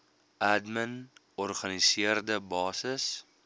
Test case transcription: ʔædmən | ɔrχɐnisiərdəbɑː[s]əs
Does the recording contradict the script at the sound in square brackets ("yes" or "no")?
no